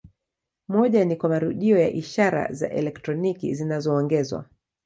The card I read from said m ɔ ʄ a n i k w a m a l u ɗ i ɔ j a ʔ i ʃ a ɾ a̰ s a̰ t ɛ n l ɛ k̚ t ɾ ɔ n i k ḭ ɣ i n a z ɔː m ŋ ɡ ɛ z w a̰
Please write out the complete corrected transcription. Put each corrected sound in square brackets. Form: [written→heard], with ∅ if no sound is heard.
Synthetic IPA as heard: m ɔ ʄ a n i k w a m a [l→ɾ] u ɗ i ɔ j a ʔ i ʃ a ɾ a̰ [s→z] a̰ [t→ʔ] ɛ [n→∅] l ɛ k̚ t ɾ ɔ n i k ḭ [ɣ→z] i n a z ɔː [m→∅] ŋ ɡ ɛ z w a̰